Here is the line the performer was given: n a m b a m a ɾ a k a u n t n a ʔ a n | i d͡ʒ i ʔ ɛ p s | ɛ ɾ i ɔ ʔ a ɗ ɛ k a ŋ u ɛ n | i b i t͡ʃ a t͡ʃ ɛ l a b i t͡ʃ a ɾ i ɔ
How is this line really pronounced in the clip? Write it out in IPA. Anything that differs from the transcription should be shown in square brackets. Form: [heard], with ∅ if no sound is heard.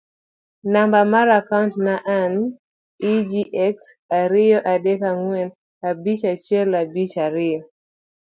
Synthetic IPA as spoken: n a m b a m a ɾ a k a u n t n a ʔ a n | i d͡ʒ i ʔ ɛ [k] s | [a] ɾ i ɔ ʔ a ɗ ɛ k a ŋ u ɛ n | [a] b i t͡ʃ a t͡ʃ ɛ l a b i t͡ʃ a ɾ i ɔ